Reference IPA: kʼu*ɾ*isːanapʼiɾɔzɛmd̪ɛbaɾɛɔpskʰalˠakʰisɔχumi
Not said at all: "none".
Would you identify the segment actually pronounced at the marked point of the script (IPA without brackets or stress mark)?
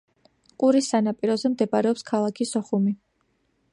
ɾ